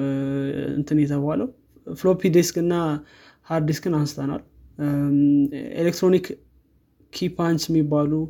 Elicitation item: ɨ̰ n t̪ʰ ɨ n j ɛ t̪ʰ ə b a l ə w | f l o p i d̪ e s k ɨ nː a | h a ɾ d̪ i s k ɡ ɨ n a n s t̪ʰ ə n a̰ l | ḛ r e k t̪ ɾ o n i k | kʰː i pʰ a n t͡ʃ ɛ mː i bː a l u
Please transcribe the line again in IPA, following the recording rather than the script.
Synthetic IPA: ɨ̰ n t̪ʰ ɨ n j ɛ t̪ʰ ə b a l ə w | f l o p i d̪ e s k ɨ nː a | h a ɾ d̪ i s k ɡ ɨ n a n s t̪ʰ ə n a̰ l | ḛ l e k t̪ ɾ o n i k | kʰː i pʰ a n t͡ʃ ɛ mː i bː a l u